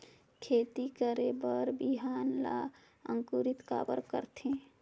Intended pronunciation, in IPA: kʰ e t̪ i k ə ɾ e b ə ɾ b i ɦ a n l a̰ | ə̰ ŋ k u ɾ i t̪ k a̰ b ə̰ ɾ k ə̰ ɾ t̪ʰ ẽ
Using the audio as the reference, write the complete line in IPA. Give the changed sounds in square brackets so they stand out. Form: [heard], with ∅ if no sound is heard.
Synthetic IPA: kʰ e t̪ i k ə ɾ e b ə ɾ b i ɦ a n l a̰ | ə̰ ŋ k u ɾ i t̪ k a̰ b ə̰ ɾ k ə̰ ɾ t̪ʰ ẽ